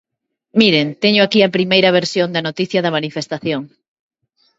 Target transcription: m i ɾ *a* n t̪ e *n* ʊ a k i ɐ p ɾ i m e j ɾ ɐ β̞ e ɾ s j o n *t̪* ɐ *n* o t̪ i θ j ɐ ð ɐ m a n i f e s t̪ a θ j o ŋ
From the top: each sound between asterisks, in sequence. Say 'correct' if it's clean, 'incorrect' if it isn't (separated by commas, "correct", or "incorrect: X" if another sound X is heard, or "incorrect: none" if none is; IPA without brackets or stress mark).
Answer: incorrect: e, incorrect: ɲ, incorrect: d̪, correct